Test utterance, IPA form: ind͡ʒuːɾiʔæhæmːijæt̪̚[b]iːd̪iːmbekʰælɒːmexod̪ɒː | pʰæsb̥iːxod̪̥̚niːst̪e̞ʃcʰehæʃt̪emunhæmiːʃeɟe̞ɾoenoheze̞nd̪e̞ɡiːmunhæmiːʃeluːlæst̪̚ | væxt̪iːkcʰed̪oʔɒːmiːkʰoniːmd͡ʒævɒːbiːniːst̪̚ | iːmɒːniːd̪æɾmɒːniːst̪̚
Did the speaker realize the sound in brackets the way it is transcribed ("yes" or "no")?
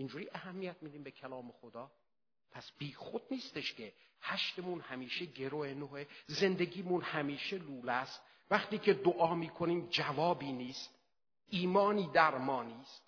no